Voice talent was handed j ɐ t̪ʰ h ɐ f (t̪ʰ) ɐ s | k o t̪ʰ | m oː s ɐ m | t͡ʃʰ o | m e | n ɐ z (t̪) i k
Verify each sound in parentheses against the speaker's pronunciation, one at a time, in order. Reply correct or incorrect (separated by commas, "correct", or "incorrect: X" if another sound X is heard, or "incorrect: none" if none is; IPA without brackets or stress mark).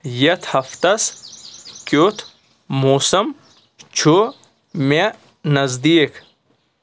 incorrect: t̪, incorrect: d̪